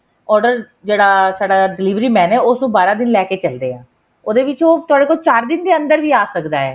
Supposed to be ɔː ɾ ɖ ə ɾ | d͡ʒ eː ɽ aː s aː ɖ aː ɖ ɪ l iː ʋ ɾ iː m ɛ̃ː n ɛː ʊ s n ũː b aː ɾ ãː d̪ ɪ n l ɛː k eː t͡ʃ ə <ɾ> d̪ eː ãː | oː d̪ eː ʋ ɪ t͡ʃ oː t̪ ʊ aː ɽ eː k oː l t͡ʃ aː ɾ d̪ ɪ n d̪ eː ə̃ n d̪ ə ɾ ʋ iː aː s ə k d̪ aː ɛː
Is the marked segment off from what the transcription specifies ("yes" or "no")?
yes